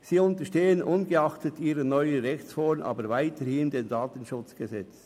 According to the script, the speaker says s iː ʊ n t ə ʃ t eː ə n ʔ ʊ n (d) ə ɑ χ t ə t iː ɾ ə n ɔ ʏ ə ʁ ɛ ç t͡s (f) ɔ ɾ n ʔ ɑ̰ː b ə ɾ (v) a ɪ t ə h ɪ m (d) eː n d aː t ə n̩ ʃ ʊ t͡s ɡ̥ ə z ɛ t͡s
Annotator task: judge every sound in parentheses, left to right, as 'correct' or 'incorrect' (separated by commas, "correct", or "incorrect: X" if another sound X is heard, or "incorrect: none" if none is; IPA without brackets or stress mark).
incorrect: ɡ, correct, correct, correct